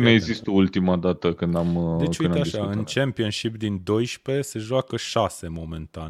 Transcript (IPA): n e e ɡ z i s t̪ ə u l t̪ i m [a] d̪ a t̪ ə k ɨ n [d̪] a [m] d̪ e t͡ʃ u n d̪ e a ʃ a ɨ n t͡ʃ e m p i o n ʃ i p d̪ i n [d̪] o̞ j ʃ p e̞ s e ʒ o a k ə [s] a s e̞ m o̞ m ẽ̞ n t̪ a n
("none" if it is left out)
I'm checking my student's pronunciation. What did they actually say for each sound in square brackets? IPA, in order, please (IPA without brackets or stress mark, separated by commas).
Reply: a, d̪, m, d̪, ʃ